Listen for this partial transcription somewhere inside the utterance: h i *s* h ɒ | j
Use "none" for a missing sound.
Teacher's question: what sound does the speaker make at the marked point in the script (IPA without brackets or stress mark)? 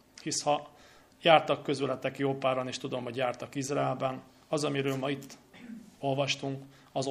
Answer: s